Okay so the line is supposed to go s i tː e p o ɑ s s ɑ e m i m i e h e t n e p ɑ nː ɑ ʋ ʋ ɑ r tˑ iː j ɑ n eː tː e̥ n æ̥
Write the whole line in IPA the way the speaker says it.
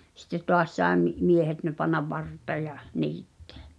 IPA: s i tː e t o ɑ s s ɑ e m i m i e h e t n e p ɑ nː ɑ ʋ ʋ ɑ r tˑ eː j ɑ n iː tː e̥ æ̥